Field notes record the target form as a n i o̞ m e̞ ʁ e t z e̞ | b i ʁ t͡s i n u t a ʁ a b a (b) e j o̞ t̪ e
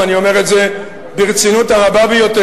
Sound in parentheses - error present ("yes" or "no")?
no